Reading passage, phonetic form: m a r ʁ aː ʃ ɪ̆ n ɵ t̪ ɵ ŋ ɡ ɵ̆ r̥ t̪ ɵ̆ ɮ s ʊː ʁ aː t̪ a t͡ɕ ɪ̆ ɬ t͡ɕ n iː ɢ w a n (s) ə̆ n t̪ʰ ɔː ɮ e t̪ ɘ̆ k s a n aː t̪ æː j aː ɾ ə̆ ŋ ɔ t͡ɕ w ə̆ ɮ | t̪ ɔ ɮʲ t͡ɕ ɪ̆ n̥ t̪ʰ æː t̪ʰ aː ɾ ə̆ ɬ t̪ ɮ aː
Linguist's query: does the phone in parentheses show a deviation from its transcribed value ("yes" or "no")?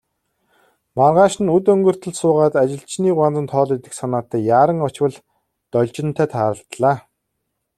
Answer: yes